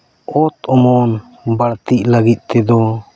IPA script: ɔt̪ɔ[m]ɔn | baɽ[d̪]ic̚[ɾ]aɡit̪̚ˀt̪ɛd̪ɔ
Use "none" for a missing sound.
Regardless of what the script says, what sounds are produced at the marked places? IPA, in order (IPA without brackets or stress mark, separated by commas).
m, t̪, l